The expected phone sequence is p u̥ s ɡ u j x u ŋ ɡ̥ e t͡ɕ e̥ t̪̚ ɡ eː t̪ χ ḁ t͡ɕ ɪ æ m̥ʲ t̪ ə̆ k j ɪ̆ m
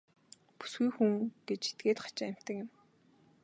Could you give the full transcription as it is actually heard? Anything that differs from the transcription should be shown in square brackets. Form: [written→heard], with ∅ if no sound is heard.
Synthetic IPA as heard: p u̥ s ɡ u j x u ŋ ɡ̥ e t͡ɕ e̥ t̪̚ ɡ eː t̪ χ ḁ t͡ɕ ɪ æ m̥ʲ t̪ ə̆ k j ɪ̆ m